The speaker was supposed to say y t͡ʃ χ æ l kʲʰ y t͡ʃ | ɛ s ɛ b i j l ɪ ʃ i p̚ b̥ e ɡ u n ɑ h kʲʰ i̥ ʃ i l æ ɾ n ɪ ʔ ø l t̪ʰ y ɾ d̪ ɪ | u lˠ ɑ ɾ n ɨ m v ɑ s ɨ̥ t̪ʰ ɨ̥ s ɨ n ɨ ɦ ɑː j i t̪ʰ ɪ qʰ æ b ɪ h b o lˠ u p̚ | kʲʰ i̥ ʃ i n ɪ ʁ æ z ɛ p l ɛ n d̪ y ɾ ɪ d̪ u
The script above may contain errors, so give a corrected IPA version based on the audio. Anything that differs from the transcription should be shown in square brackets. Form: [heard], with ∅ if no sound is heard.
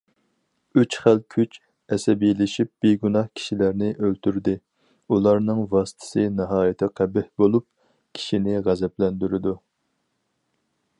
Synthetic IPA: y t͡ʃ χ æ l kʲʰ y t͡ʃ | ɛ s ɛ b i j l ɪ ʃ i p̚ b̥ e ɡ u n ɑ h kʲʰ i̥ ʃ i l æ ɾ n ɪ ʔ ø l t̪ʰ y ɾ d̪ ɪ | u lˠ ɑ ɾ n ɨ [ŋ] v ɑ s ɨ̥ t̪ʰ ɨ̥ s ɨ n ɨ ɦ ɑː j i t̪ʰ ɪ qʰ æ b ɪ h b o lˠ u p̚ | kʲʰ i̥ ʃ i n ɪ ʁ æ z ɛ p l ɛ n d̪ y ɾ ɪ d̪ u